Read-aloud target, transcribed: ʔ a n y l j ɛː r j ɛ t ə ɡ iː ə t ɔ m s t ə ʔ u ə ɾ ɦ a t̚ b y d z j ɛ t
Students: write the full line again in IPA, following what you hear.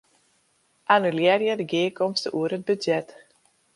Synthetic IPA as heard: ʔ a n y l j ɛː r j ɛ d ə ɡ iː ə k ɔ m s t ə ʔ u ə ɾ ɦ ə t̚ b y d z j ɛ t